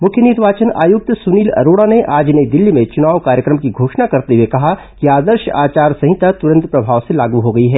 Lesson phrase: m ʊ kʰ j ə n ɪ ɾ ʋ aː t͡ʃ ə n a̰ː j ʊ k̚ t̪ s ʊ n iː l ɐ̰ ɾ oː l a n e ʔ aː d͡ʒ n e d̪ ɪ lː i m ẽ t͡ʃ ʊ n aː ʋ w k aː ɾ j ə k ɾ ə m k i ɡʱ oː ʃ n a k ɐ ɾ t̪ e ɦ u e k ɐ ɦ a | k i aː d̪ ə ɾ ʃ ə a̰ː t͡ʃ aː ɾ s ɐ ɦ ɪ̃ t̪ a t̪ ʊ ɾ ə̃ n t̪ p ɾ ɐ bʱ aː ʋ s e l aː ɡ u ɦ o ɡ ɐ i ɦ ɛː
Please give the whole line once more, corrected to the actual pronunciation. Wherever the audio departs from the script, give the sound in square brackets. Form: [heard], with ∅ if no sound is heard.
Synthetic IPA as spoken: m ʊ kʰ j ə n ɪ ɾ ʋ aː t͡ʃ ə n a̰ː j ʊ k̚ t̪ s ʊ n iː l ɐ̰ ɾ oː [ɽ] a n e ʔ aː d͡ʒ n e d̪ ɪ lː i m ẽ t͡ʃ ʊ n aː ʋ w k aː ɾ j ə k ɾ ə m k i ɡʱ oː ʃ n a k ɐ ɾ t̪ e ɦ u e k ɐ ɦ a | k i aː d̪ ə ɾ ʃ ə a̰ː t͡ʃ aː ɾ s ɐ ɦ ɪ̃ t̪ a t̪ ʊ ɾ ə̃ n t̪ p ɾ ɐ bʱ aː ʋ s e l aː ɡ u ɦ o ɡ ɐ i ɦ ɛː